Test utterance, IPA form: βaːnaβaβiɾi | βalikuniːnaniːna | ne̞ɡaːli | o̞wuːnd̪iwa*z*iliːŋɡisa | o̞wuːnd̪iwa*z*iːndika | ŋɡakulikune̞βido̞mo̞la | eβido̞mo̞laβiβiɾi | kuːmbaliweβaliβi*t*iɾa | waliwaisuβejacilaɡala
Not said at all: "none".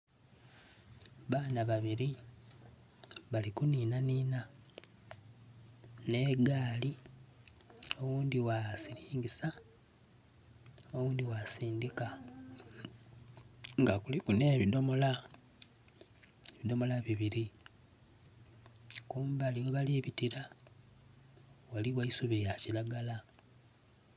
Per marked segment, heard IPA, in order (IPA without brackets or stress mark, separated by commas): s, s, t